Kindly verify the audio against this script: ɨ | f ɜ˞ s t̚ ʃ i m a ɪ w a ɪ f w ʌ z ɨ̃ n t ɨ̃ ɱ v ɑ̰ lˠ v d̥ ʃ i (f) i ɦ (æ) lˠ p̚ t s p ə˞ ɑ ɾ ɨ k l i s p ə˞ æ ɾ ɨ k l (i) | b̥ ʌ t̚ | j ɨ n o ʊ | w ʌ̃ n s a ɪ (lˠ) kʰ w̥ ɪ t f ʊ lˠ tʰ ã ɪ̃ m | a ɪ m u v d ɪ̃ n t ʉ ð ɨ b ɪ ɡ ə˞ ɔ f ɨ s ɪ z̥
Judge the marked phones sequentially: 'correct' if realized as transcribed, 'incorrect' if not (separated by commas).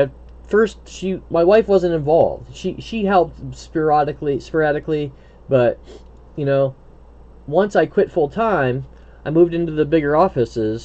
incorrect, incorrect, correct, incorrect